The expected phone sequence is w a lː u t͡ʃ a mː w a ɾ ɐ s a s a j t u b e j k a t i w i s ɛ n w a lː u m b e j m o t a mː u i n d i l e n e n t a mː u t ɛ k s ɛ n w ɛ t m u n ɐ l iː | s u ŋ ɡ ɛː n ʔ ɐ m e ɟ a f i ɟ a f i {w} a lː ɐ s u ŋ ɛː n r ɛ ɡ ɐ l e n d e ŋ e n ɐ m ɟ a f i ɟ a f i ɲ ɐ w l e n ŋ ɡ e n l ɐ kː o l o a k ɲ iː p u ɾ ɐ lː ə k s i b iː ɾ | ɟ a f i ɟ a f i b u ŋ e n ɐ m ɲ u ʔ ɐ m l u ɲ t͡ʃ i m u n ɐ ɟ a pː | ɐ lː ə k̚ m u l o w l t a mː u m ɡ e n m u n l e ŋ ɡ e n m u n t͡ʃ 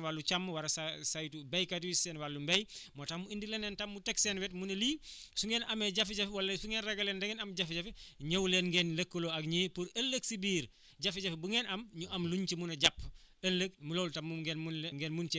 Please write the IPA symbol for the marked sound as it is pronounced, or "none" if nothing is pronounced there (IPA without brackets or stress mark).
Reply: w